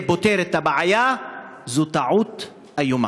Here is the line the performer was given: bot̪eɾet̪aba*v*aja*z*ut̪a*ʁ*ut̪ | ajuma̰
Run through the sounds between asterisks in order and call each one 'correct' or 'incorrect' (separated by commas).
incorrect, correct, incorrect